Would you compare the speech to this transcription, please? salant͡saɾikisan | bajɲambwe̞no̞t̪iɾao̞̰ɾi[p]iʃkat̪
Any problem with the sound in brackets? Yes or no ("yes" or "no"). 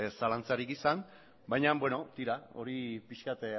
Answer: no